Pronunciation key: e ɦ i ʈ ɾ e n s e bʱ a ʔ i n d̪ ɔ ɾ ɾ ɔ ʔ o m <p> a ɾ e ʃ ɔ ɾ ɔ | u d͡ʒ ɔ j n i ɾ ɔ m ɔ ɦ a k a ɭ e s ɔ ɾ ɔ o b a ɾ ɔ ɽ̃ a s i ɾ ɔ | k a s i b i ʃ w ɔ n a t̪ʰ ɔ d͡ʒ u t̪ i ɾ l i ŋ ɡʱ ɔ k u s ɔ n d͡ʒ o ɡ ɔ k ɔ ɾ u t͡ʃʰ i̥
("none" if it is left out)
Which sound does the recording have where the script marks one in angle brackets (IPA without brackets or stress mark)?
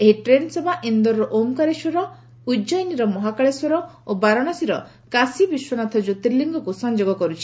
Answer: k